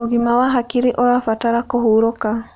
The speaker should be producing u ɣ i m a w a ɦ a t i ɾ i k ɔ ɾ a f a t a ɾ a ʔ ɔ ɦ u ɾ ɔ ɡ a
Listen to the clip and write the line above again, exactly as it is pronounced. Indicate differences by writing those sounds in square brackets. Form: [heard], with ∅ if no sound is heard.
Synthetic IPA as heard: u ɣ i m a w a ɦ a [k] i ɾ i [ʔ] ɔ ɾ a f a t a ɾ a [k] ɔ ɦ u ɾ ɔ [k] a